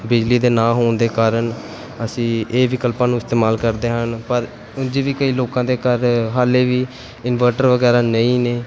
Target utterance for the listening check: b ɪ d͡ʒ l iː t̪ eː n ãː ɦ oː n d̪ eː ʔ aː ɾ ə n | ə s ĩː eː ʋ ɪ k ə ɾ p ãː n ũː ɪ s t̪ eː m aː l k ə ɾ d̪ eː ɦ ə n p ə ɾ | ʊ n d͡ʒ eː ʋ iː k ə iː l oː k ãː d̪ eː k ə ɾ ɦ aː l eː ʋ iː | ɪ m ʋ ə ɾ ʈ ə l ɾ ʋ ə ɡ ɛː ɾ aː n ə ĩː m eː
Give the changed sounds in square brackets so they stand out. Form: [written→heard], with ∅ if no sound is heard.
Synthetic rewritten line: b ɪ d͡ʒ l iː [t̪→d̪] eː n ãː ɦ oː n d̪ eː [ʔ→k] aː ɾ ə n | ə s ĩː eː ʋ ɪ k ə [ɾ→l] p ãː n ũː ɪ s t̪ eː m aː l k ə ɾ d̪ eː ɦ ə n p ə ɾ | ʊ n d͡ʒ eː ʋ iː k ə iː l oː k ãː d̪ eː k ə ɾ ɦ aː l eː ʋ iː | ɪ [m→n] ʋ ə ɾ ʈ ə [l→∅] ɾ ʋ ə ɡ ɛː ɾ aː n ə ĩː [m→n] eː

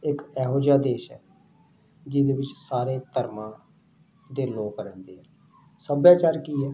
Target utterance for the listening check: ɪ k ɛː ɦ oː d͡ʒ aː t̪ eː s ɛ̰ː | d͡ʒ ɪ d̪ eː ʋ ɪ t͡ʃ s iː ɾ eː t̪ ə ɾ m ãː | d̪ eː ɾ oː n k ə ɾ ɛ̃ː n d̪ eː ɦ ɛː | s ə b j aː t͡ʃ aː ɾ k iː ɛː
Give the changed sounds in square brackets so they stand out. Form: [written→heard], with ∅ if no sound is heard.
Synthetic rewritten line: ɪ k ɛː ɦ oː d͡ʒ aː [t̪→d̪] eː [s→ʃ] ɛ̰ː | d͡ʒ ɪ d̪ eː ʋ ɪ t͡ʃ s [iː→aː] ɾ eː t̪ ə ɾ m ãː | d̪ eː [ɾ→l] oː [n→∅] k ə ɾ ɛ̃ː n d̪ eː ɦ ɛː | s ə b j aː t͡ʃ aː ɾ k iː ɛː

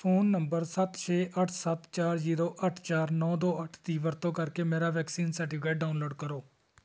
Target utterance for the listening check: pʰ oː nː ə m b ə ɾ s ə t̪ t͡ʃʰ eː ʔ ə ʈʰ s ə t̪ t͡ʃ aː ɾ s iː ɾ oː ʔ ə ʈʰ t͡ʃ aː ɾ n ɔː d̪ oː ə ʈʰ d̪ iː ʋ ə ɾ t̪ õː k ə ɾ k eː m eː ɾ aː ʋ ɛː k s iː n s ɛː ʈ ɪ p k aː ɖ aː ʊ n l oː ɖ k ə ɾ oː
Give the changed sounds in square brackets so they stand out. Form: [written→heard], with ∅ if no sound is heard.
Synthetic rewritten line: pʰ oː nː ə m b ə ɾ s ə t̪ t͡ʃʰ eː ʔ ə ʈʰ s ə t̪ t͡ʃ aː ɾ [s→z] iː ɾ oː ʔ ə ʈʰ t͡ʃ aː ɾ n ɔː d̪ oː ə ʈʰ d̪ iː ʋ ə ɾ t̪ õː k ə ɾ k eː m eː ɾ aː ʋ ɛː k s iː n s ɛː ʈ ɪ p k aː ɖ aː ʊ n l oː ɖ k ə ɾ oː

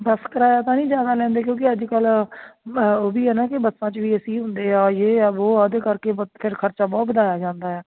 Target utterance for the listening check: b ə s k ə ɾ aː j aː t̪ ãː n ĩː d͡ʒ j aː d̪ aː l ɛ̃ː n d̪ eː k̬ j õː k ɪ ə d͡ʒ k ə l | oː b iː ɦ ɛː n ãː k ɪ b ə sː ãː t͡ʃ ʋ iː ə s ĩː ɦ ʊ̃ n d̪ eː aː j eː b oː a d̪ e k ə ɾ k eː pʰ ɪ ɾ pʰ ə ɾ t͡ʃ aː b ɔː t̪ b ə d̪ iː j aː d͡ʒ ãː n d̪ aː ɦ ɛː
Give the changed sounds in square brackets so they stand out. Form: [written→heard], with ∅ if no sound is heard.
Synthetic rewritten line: b ə s k ə ɾ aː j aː t̪ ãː n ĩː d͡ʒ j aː d̪ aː l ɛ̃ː n d̪ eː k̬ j õː k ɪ ə d͡ʒ k ə l | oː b iː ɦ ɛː n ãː k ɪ b ə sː ãː t͡ʃ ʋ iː ə s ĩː ɦ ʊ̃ n d̪ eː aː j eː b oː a d̪ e k ə ɾ k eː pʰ ɪ ɾ [pʰ→kʰ] ə ɾ t͡ʃ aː b ɔː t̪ b ə d̪ [iː→aː] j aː d͡ʒ ãː n d̪ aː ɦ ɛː

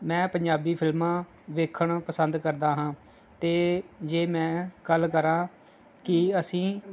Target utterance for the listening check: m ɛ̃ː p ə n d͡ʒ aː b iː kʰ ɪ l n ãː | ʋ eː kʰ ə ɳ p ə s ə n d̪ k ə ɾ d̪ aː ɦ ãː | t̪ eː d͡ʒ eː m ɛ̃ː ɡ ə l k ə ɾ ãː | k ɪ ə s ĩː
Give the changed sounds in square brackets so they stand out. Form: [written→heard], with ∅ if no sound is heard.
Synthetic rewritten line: m ɛ̃ː p ə [n→ɲ] d͡ʒ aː b iː [kʰ→pʰ] ɪ l [n→m] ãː | ʋ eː kʰ ə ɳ p ə s ə n d̪ k ə ɾ d̪ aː ɦ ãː | t̪ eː d͡ʒ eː m ɛ̃ː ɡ ə l k ə ɾ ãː | k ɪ ə s ĩː

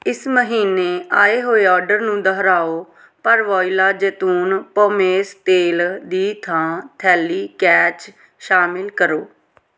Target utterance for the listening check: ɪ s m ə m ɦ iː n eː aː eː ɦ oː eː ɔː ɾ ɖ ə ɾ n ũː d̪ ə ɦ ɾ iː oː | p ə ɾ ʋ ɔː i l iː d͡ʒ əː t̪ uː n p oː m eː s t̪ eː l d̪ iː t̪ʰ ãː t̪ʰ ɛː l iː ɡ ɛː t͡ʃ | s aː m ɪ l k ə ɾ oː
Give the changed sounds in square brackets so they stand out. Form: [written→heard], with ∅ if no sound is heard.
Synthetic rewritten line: ɪ s m ə [m→∅] ɦ iː n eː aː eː ɦ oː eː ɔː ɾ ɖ ə ɾ n ũː d̪ ə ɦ ɾ [iː→aː] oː | p ə ɾ ʋ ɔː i l [iː→aː] d͡ʒ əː t̪ uː n p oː m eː s t̪ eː l d̪ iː t̪ʰ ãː t̪ʰ ɛː l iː [ɡ→k] ɛː t͡ʃ | [s→ʃ] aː m ɪ l k ə ɾ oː

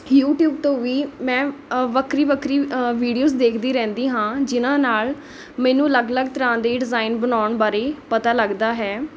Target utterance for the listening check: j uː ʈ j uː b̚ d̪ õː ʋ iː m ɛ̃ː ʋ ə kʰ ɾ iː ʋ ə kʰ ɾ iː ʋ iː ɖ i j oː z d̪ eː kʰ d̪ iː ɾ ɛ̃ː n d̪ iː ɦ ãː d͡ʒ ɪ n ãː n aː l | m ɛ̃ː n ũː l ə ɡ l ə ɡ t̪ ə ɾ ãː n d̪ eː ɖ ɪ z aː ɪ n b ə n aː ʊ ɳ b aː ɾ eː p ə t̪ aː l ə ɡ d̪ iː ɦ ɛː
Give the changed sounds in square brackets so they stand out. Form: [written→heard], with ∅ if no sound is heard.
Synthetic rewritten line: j uː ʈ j uː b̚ [d̪→t̪] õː ʋ iː m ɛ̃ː ʋ ə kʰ ɾ iː ʋ ə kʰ ɾ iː ʋ iː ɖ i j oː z d̪ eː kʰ d̪ iː ɾ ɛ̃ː n d̪ iː ɦ ãː d͡ʒ ɪ n ãː n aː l | m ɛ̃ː n ũː l ə ɡ l ə ɡ t̪ ə ɾ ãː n d̪ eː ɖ ɪ z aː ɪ n b ə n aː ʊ ɳ b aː ɾ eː p ə t̪ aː l ə ɡ d̪ [iː→aː] ɦ ɛː

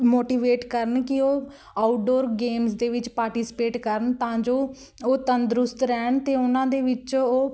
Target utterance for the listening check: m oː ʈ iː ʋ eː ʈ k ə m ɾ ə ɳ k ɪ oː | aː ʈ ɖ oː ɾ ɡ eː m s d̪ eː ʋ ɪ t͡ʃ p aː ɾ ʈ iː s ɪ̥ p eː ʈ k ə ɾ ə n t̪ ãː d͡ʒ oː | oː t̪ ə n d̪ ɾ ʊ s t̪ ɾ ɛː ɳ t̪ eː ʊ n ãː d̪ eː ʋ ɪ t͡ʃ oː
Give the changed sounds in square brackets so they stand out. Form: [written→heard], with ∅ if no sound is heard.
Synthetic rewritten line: m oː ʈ iː ʋ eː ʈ k ə [m→∅] ɾ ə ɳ k ɪ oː | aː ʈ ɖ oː ɾ ɡ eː m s d̪ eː ʋ ɪ t͡ʃ p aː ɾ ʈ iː s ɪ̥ p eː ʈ k ə ɾ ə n t̪ ãː d͡ʒ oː | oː t̪ ə n d̪ ɾ ʊ s t̪ ɾ ɛː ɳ t̪ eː ʊ n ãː d̪ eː ʋ ɪ t͡ʃ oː

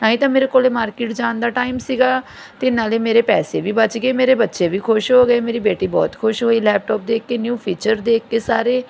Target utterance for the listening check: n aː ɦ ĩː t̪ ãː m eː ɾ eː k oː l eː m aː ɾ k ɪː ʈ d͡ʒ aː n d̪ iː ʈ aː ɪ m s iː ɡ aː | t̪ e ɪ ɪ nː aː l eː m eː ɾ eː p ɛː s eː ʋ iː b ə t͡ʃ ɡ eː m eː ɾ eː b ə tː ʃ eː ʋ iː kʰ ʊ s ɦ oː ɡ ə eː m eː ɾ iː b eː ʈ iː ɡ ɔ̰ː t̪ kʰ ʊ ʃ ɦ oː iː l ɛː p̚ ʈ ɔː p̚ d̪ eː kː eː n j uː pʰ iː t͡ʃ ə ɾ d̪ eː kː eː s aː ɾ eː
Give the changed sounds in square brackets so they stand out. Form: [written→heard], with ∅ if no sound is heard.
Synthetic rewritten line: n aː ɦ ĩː t̪ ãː m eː ɾ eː k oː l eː m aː ɾ k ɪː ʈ d͡ʒ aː n d̪ [iː→aː] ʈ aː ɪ m s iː ɡ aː | t̪ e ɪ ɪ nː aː l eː m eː ɾ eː p ɛː s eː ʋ iː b ə t͡ʃ ɡ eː m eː ɾ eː b ə tː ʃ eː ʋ iː kʰ ʊ [s→ʃ] ɦ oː ɡ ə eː m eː ɾ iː b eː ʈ iː [ɡ→b] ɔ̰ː t̪ kʰ ʊ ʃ ɦ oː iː l ɛː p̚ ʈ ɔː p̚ d̪ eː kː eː n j uː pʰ iː t͡ʃ ə ɾ d̪ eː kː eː s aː ɾ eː

